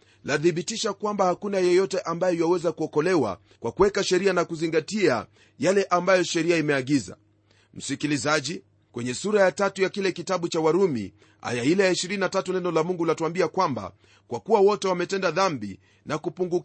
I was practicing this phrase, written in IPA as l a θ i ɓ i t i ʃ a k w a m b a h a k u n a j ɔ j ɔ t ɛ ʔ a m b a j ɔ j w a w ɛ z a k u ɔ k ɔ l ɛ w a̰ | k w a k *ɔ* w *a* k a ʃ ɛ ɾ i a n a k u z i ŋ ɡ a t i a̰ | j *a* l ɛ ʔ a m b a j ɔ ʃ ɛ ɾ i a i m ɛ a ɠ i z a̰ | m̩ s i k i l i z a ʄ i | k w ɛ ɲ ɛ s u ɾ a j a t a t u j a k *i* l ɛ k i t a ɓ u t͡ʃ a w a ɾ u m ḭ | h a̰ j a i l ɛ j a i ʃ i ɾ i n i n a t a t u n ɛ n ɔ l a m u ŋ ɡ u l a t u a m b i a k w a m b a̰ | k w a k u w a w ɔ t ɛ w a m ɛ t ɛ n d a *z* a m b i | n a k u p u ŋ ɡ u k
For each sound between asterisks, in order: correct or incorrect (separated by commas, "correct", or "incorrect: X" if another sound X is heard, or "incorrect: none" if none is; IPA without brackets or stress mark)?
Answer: incorrect: u, incorrect: ɛ, correct, correct, incorrect: ð